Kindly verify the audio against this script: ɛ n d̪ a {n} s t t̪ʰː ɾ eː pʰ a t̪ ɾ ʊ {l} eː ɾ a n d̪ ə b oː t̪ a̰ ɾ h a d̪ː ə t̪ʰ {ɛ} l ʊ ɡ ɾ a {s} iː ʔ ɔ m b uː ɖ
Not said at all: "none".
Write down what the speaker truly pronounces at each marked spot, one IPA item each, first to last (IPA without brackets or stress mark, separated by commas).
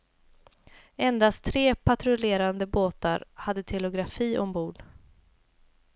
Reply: none, l, ɛ, f